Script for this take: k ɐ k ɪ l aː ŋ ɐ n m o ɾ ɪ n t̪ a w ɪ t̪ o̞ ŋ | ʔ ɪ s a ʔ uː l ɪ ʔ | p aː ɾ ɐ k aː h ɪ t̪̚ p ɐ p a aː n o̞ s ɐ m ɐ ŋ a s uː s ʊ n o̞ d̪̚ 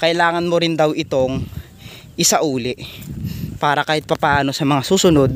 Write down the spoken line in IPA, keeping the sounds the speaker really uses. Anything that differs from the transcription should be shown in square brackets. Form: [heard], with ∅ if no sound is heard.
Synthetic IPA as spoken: k ɐ [ʔ] ɪ l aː ŋ ɐ n m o ɾ ɪ n [d̪] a w ɪ t̪ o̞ ŋ | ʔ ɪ s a ʔ uː l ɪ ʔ | p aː ɾ ɐ k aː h ɪ t̪̚ p ɐ p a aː n o̞ s ɐ m ɐ ŋ a s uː s ʊ n o̞ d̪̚